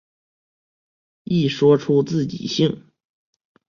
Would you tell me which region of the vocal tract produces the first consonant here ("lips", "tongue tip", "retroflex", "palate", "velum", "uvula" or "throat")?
retroflex